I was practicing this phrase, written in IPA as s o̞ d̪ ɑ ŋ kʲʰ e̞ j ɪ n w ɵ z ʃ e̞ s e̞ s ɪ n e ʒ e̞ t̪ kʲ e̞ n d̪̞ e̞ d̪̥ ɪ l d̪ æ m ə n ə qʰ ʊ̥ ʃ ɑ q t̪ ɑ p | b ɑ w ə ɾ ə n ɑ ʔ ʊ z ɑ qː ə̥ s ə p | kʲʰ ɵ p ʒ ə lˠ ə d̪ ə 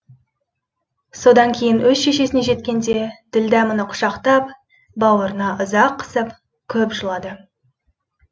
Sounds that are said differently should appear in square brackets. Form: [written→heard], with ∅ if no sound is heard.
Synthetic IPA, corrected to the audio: s o̞ d̪ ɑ ŋ kʲʰ e̞ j ɪ n w ɵ z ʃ e̞ [s→ʃ] e̞ s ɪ n e ʒ e̞ t̪ kʲ e̞ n d̪̞ e̞ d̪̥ ɪ l d̪ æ m ə n ə qʰ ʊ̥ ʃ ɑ q t̪ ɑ p | b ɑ w ə ɾ ə n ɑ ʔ ʊ z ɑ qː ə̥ s ə p | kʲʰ ɵ p ʒ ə lˠ [ə→ɑ] d̪ ə